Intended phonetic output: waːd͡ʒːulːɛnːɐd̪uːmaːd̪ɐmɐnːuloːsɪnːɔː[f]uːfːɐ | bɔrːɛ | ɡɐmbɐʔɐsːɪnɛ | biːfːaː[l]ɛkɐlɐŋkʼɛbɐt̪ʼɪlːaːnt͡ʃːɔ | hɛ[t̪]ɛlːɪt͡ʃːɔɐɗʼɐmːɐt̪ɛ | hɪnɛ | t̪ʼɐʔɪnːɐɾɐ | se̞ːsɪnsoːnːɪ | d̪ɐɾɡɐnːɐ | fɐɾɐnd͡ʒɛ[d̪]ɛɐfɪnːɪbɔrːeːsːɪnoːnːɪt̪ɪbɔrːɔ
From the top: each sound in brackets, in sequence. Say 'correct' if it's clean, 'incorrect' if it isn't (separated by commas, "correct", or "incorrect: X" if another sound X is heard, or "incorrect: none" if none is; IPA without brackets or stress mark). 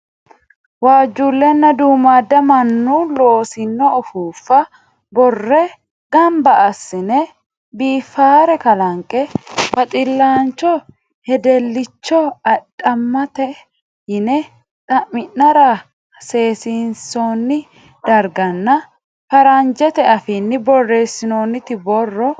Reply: correct, incorrect: ɾ, incorrect: d̪, incorrect: t̪